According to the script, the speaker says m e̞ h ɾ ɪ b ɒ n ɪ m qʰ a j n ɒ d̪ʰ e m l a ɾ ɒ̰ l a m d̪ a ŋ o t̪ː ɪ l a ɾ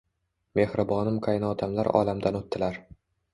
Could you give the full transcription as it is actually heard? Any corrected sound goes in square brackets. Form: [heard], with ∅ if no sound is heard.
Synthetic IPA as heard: m e̞ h ɾ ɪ b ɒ n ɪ m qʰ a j n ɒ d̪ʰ [a] m l a ɾ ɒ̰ l a m d̪ a [n] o t̪ː ɪ l a ɾ

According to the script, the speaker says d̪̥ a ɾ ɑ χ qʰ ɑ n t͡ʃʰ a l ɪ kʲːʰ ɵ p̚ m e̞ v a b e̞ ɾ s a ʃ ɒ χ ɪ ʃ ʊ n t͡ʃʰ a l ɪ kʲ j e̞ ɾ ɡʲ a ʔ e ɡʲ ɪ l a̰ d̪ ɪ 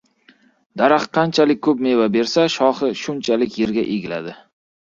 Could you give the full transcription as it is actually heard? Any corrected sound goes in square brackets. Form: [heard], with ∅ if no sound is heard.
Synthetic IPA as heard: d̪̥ a ɾ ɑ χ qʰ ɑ n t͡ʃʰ a l ɪ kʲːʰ ɵ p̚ m e̞ v a b e̞ ɾ s a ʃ ɒ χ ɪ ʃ ʊ n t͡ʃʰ a l ɪ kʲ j e̞ ɾ ɡʲ a ʔ e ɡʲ ɪ l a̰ d̪ ɪ

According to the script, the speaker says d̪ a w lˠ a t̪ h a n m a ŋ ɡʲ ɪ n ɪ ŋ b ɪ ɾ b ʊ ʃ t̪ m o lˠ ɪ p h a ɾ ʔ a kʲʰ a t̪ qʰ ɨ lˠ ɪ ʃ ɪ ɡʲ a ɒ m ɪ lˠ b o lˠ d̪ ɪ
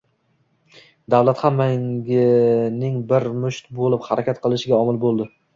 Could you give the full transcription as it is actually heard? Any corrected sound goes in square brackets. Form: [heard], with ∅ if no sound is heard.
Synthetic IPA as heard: d̪ a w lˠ a t̪ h a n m a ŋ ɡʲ ɪ n ɪ ŋ b ɪ ɾ [m] ʊ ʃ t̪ [b] o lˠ ɪ p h a ɾ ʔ a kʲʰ a t̪ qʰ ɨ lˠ ɪ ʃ ɪ ɡʲ a ɒ m ɪ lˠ b o lˠ d̪ ɪ

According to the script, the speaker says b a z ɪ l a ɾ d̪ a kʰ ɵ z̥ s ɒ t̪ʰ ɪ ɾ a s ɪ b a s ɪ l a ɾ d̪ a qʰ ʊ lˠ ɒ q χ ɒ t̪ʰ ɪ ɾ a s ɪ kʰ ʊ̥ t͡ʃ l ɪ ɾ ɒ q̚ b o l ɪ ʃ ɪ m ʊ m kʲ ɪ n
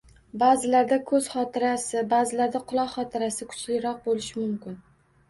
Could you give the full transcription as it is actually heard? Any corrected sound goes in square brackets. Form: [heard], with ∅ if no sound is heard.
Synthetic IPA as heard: b a z ɪ l a ɾ d̪ a kʰ ɵ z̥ [χ] ɒ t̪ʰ ɪ ɾ a s ɪ b a [z] ɪ l a ɾ d̪ a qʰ ʊ lˠ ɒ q χ ɒ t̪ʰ ɪ ɾ a s ɪ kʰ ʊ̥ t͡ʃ l ɪ ɾ ɒ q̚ b o l ɪ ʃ ɪ m ʊ m kʲ ɪ n

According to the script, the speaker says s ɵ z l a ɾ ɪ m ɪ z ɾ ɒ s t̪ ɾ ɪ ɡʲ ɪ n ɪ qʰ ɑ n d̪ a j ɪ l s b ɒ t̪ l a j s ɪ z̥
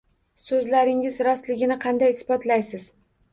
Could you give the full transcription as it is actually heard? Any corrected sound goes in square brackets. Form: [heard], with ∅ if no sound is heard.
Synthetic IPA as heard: s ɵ z l a ɾ ɪ [ŋ] ɪ z ɾ ɒ s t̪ [l] ɪ ɡʲ ɪ n ɪ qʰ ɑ n d̪ a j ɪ [∅] s b ɒ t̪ l a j s ɪ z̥

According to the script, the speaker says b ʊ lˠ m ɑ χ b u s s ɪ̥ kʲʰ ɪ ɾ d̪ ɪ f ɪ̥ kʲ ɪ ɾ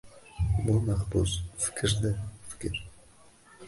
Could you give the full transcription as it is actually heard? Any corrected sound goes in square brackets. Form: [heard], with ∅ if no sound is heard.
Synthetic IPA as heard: b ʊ lˠ m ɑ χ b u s [f] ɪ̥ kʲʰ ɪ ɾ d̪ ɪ f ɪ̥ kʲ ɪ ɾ

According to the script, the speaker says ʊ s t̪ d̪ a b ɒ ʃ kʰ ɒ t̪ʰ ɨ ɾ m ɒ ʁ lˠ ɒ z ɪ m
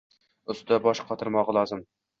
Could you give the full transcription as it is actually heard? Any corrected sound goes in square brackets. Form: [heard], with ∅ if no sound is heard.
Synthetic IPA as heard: ʊ s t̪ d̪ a b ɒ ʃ [qʰ] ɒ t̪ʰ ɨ ɾ m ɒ ʁ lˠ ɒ z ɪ m

